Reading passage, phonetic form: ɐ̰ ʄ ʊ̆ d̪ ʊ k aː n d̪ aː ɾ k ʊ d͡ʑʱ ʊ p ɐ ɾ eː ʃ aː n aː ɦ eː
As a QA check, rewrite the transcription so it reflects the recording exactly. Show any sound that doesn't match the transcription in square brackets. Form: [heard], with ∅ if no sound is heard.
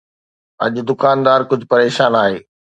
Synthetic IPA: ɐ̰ ʄ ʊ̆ d̪ ʊ k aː n d̪ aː ɾ k ʊ d͡ʑʱ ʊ p ɐ ɾ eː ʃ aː n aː ɦ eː